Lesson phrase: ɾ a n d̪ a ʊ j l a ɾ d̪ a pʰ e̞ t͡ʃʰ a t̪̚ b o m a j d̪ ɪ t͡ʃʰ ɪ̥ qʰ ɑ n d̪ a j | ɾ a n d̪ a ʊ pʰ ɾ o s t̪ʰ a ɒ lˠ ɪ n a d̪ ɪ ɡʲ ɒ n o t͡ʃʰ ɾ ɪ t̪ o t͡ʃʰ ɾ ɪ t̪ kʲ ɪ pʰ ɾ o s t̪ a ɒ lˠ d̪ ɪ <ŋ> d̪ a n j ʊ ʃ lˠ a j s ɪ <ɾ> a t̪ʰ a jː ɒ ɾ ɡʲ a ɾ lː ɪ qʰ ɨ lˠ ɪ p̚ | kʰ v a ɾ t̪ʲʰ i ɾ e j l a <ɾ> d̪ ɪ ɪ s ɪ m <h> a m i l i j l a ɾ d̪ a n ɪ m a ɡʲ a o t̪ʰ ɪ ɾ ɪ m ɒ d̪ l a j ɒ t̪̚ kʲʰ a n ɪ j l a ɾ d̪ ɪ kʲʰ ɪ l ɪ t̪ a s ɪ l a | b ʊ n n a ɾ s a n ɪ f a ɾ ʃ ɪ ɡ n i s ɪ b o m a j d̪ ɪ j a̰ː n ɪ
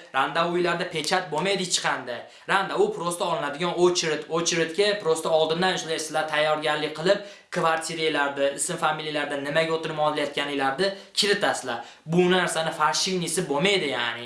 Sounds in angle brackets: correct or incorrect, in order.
incorrect: n, incorrect: l, correct, incorrect: f

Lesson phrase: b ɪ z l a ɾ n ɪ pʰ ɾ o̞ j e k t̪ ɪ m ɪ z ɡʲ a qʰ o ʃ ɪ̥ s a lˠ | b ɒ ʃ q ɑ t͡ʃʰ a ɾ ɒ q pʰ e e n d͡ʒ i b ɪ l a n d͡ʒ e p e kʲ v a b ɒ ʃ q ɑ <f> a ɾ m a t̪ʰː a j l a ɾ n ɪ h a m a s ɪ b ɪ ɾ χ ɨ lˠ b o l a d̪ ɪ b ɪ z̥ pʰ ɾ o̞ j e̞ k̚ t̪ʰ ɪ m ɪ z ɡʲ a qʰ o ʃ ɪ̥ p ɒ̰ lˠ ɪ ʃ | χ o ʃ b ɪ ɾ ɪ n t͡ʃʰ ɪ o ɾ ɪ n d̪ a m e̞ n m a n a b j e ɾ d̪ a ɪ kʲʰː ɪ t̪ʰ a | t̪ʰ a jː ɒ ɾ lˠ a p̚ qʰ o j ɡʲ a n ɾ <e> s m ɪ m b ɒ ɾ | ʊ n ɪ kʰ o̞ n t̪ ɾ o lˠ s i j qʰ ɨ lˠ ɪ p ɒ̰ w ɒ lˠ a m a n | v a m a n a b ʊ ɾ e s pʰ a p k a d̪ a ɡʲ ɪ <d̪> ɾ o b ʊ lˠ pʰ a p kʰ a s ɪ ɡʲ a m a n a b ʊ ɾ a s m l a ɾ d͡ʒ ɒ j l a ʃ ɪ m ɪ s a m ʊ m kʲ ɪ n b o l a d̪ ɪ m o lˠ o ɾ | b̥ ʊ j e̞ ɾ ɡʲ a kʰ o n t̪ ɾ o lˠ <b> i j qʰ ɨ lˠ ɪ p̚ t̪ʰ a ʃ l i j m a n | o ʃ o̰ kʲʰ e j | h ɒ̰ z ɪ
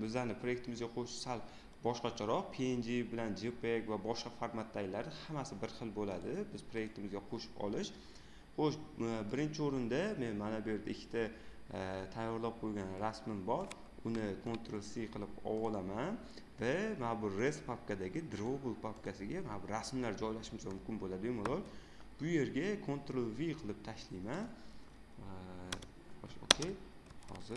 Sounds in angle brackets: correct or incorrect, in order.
correct, incorrect: a, correct, incorrect: v

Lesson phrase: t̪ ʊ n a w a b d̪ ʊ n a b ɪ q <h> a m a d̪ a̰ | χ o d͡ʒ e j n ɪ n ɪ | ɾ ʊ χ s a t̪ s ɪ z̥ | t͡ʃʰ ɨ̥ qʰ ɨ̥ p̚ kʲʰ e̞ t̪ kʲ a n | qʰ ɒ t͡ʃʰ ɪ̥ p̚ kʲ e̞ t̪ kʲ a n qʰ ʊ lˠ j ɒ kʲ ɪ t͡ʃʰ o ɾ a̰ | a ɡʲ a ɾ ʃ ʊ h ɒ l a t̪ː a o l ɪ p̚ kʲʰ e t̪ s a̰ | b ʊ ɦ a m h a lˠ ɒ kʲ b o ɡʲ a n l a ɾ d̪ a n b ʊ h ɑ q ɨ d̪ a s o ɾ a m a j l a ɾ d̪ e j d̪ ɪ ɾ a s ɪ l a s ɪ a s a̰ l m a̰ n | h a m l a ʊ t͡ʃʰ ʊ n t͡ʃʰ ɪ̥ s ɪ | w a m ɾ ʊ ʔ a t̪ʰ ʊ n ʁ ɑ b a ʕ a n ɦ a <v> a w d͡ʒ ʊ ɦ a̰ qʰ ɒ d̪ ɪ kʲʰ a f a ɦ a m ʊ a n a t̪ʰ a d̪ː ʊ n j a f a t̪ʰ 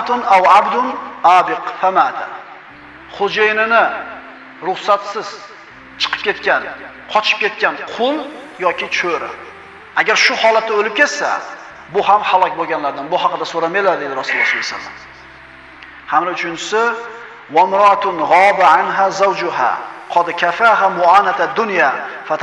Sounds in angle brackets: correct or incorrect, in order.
incorrect: f, incorrect: z

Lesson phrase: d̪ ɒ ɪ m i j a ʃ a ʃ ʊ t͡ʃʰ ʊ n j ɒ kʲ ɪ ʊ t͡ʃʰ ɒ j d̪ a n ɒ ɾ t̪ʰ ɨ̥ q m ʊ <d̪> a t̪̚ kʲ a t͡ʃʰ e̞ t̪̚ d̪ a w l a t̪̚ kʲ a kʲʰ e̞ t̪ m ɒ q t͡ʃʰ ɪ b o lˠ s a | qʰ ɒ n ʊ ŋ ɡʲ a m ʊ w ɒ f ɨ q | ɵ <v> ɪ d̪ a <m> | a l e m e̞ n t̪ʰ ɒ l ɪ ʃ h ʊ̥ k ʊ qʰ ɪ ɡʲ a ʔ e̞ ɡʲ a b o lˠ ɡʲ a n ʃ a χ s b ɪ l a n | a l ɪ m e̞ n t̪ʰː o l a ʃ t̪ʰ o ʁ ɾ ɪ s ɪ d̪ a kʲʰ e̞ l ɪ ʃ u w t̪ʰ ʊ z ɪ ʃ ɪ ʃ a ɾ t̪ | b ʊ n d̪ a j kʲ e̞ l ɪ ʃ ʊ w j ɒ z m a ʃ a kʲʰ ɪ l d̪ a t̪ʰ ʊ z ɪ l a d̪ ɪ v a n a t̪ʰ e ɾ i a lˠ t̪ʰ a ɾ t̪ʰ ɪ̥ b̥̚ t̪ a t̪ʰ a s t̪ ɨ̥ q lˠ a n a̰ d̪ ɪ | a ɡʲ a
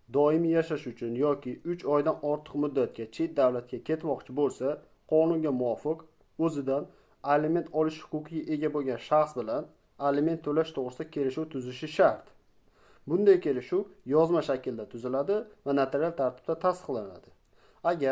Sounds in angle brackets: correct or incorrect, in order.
incorrect: d̪ː, incorrect: z, incorrect: n

